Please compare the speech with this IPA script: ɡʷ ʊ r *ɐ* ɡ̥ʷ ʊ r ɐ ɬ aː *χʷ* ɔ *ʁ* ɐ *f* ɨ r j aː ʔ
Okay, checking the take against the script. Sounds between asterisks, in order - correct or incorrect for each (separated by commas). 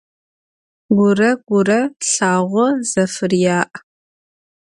correct, incorrect, incorrect, correct